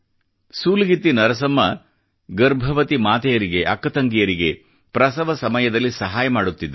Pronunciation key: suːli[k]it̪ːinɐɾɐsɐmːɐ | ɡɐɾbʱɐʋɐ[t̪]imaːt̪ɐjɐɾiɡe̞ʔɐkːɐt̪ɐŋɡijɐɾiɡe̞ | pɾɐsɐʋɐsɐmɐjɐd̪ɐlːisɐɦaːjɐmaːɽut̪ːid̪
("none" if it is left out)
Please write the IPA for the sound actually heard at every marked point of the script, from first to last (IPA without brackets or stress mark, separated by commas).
ɡ, t̪